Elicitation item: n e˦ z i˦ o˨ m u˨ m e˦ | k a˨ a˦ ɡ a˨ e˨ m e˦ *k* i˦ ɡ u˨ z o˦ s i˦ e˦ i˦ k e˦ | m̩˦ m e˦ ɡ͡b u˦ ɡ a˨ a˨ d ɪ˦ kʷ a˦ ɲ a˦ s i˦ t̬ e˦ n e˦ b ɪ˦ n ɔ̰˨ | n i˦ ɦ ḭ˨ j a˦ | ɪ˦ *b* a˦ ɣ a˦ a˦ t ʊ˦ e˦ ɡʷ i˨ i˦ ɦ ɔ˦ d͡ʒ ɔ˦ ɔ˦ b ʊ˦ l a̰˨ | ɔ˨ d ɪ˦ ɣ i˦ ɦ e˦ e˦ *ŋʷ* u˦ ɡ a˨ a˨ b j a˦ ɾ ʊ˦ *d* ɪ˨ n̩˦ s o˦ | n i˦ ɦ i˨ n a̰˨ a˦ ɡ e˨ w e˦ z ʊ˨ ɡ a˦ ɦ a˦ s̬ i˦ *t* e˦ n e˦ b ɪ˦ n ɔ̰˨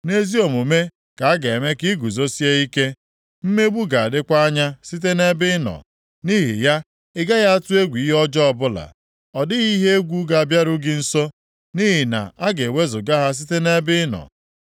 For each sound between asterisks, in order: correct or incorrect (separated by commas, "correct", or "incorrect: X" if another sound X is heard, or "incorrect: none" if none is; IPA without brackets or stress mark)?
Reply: correct, incorrect: ɡ, incorrect: ɡʷ, incorrect: ɡ, correct